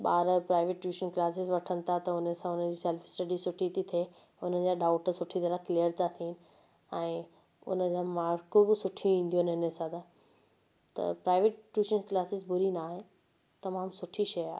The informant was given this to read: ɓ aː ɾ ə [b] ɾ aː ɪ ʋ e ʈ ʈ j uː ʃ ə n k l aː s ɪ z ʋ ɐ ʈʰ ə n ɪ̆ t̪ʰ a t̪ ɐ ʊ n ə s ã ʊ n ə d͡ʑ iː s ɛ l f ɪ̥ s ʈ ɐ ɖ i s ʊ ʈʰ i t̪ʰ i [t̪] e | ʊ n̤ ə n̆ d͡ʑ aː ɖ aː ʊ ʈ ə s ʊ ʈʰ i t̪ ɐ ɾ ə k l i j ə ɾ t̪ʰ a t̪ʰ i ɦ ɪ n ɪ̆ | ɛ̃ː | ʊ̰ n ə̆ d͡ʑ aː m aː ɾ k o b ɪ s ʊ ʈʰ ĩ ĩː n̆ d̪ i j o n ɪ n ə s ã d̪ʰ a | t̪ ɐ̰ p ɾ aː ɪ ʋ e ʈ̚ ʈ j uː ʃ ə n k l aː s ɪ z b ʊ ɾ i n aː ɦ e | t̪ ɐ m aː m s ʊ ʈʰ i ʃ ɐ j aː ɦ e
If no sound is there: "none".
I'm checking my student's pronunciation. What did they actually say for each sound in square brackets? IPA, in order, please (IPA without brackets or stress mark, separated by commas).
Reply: p, t̪ʰ